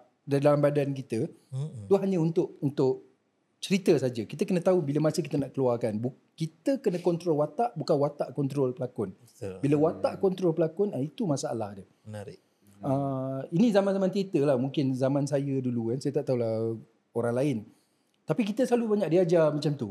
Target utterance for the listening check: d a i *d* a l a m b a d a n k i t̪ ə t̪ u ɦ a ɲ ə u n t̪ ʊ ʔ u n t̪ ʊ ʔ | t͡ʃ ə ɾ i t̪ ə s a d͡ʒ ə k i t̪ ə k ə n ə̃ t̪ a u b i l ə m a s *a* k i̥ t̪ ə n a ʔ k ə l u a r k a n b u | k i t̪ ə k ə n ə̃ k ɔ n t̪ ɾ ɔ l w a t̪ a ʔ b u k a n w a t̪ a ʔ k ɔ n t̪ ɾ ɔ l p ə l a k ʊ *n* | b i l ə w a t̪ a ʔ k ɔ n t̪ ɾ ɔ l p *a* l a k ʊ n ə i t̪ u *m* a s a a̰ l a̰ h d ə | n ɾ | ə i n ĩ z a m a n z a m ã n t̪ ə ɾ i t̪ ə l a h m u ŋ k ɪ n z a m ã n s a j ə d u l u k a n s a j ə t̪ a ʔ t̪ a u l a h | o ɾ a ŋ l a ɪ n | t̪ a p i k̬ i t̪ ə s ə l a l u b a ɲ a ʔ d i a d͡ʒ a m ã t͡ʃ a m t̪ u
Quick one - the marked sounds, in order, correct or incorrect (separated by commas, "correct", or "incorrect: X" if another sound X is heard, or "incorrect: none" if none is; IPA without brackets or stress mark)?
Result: correct, incorrect: ə, correct, incorrect: ə, correct